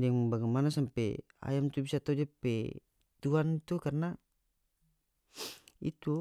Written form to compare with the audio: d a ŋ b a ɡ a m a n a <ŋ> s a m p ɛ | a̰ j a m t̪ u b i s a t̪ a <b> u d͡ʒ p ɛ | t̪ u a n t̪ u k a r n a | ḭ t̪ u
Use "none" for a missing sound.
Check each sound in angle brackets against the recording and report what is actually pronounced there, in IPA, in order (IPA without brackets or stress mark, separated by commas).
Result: none, none